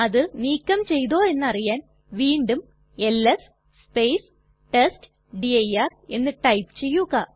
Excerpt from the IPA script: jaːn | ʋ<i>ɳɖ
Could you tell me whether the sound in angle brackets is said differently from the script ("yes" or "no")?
yes